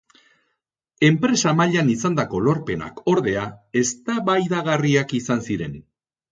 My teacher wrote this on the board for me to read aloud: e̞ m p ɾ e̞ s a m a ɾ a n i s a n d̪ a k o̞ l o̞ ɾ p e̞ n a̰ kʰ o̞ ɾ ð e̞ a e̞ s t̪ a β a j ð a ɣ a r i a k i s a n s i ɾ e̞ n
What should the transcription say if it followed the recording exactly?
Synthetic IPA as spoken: e̞ m p ɾ e̞ s a m a ʎ a n i s a n d̪ a k o̞ l o̞ ɾ p e̞ n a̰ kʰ o̞ ɾ ð e̞ a e̞ s t̪ a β a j ð a ɣ a r i a k i s a n s i ɾ e̞ n